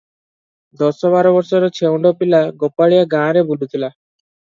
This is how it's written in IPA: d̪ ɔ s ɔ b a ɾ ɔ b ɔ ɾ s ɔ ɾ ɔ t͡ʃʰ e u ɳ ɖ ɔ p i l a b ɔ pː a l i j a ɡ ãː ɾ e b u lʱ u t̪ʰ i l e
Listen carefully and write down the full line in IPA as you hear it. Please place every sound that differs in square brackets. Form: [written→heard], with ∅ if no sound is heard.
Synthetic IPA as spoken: d̪ ɔ s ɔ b a ɾ ɔ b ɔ ɾ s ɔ ɾ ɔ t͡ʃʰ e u ɳ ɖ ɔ p i l a [b→ɡ] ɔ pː a [l→ɭ] i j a ɡ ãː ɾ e b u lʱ u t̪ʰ i l [e→a]